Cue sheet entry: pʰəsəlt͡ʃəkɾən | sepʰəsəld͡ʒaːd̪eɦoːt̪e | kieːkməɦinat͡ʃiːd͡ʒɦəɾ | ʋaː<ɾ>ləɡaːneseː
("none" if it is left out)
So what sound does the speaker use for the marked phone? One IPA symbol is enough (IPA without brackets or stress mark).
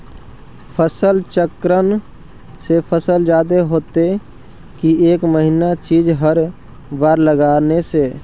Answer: ɾ